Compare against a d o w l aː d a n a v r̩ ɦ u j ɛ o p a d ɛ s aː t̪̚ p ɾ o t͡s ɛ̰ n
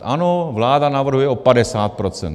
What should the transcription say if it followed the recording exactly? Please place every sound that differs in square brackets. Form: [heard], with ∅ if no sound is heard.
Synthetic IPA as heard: a [n] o [v] l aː d a n a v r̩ ɦ u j ɛ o p a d ɛ s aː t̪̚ p ɾ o t͡s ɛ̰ n